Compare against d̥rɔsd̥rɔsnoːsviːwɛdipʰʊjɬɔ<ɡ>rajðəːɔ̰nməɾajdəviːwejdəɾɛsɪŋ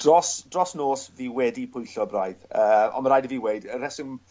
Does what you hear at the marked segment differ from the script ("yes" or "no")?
yes